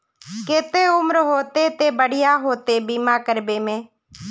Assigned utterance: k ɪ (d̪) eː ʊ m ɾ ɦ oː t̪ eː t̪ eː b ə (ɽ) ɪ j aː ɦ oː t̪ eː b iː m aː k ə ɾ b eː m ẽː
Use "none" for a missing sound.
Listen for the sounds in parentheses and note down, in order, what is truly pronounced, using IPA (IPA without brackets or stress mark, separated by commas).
t̪, ɽ